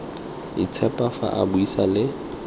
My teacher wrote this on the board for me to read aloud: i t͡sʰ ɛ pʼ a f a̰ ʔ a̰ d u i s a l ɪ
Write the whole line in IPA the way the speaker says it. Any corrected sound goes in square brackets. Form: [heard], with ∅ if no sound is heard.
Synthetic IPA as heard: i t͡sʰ ɛ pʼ a f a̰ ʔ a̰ [b] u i s a l ɪ

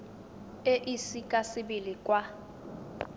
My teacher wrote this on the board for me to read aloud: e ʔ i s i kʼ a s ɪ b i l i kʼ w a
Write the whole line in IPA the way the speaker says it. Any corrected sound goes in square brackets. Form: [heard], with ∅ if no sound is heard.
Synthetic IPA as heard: e ʔ i s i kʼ a s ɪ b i l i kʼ w a

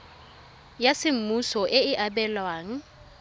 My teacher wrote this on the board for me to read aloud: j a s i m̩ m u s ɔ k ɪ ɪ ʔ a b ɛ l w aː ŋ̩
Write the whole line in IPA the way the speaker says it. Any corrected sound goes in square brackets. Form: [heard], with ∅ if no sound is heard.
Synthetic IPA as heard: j a s [ɪ] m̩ m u s ɔ [ʔ] ɪ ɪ ʔ a b ɛ l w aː ŋ̩

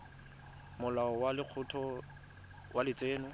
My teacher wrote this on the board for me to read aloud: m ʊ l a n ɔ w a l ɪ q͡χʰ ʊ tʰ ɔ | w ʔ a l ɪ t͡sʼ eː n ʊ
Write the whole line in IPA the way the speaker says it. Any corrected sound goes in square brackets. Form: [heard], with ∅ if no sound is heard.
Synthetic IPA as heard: m ʊ l a [∅] ɔ w a l ɪ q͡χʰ ʊ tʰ ɔ | w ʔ a l ɪ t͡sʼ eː n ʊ

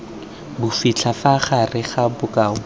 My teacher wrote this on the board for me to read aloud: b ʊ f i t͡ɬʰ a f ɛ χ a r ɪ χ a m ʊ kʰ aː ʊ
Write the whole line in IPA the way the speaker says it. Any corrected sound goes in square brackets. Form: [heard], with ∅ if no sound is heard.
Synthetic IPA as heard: b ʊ f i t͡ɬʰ a f [a] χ a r ɪ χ a [b] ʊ [k] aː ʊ

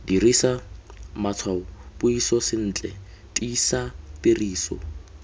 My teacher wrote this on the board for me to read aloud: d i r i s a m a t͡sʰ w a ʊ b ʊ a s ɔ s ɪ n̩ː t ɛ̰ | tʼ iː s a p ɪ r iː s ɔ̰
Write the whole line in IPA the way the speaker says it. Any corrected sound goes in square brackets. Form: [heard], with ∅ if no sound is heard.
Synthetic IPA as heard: d i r i s a m a t͡sʰ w a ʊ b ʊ [i] s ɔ s ɪ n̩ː [t͡ɬʼ] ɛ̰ | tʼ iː s a p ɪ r iː s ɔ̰

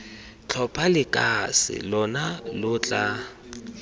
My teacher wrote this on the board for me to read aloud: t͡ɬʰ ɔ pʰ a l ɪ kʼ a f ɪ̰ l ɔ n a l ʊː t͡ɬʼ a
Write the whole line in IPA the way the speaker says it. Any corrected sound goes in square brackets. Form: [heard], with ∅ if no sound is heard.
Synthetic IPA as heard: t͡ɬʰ ɔ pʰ a l ɪ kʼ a [s] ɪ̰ l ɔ n a l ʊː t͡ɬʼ a

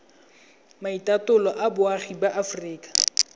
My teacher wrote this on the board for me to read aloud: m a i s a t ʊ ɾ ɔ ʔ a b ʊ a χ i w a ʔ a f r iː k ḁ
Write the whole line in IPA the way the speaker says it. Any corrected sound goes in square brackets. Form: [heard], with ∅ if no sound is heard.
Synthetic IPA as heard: m a i [t] a t ʊ [l] ɔ ʔ a b ʊ a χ i [b] a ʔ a f r iː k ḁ

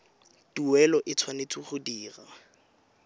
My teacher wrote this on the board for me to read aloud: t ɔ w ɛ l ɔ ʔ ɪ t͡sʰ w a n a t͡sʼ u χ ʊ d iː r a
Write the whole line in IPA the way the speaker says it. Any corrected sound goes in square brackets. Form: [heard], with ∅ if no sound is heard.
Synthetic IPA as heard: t [u] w ɛ l ɔ ʔ ɪ t͡sʰ w a n [e] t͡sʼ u χ ʊ d iː r a

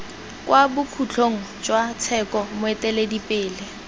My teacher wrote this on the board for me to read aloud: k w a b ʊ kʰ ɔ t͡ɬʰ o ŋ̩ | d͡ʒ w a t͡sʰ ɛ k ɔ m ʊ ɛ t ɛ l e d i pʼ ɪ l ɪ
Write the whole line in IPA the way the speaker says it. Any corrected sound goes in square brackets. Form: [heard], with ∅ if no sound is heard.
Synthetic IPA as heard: k w a b ʊ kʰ [u] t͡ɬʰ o ŋ̩ | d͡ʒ w a t͡sʰ ɛ k ɔ m ʊ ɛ t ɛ l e d i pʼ [ɪː] l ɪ

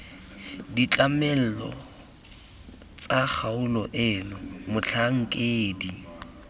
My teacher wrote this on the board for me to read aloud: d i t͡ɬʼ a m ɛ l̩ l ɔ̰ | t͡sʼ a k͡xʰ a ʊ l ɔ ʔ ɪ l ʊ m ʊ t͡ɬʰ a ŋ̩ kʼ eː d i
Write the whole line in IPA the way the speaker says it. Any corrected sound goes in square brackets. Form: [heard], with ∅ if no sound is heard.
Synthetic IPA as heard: d i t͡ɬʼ a m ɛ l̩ l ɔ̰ | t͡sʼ a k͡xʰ a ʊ l ɔ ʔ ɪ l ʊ m ʊ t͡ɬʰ a ŋ̩ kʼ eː d i

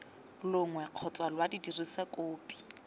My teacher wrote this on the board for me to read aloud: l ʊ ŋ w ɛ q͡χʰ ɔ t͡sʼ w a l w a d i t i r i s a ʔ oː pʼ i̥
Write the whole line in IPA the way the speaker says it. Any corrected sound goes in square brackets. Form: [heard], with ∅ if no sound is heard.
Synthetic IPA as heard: l ʊ ŋ w ɛ q͡χʰ ɔ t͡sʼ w a l w a d i [d] i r i s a [k] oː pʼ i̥

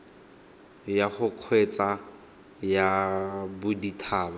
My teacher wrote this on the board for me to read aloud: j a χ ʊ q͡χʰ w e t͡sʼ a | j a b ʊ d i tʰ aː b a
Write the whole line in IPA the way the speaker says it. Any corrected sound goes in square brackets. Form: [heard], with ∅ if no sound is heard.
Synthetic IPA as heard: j a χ ʊ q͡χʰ w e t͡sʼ a | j a b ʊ d i tʰ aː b a

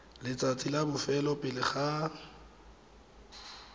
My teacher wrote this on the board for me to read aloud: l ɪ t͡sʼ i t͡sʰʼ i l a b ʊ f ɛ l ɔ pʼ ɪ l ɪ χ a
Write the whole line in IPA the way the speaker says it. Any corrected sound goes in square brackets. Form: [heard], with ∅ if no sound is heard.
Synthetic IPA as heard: l ɪ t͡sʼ [a] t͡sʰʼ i l a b ʊ f ɛ l ɔ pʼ ɪ l ɪ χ a

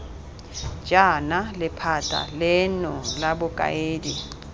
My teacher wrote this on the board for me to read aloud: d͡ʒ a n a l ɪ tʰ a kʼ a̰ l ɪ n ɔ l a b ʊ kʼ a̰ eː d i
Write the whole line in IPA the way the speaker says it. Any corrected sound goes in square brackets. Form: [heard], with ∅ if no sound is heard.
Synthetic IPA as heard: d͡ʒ a n a l ɪ [pʰ] a [tʼ] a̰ l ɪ n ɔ l a b ʊ kʼ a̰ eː d i

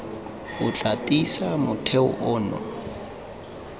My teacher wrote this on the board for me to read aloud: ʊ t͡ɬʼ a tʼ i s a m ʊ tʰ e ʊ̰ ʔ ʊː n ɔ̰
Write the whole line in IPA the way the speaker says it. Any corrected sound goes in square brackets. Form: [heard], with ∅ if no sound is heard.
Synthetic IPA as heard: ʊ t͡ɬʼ a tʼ i s a m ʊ tʰ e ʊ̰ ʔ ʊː n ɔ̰

